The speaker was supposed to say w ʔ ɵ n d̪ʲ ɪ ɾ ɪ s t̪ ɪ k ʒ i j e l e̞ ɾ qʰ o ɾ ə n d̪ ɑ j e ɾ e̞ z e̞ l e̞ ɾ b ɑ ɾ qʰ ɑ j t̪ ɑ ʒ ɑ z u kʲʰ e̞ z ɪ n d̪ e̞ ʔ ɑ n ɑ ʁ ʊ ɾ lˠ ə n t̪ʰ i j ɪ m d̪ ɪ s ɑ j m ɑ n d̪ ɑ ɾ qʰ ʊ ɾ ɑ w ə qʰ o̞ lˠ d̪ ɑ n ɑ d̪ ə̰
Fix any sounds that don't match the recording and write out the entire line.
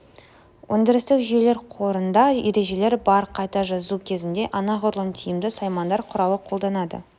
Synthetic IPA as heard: w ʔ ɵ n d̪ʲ ɪ ɾ ɪ s t̪ ɪ k ʒ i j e l e̞ ɾ qʰ o ɾ ə n d̪ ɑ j e ɾ e̞ ʒ e̞ l e̞ ɾ b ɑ ɾ qʰ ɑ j t̪ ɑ ʒ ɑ z u kʲʰ e̞ z ɪ n d̪ e̞ ʔ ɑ n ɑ ʁ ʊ ɾ lˠ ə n t̪ʰ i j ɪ m d̪ ɪ s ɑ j m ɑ n d̪ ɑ ɾ qʰ ʊ ɾ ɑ w ə qʰ o̞ lˠ d̪ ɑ n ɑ d̪ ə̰